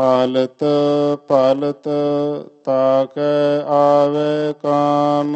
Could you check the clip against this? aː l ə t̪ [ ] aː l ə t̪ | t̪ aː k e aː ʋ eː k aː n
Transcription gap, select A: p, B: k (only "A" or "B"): A